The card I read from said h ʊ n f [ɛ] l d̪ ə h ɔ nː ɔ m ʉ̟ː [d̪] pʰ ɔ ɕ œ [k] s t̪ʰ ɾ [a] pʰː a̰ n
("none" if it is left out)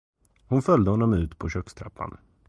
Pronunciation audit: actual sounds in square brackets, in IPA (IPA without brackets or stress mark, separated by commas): œ, t̪, k, a